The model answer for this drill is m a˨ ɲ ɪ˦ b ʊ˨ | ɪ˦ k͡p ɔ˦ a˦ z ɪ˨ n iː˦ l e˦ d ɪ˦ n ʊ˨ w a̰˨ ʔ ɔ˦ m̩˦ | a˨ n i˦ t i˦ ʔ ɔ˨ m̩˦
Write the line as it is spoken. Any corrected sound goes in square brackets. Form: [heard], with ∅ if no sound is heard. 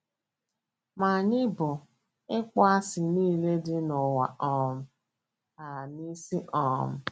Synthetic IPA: m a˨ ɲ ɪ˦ b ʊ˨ | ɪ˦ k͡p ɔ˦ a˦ [s] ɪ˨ n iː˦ l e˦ d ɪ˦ n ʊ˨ w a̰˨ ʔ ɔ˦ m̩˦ | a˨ n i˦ [s] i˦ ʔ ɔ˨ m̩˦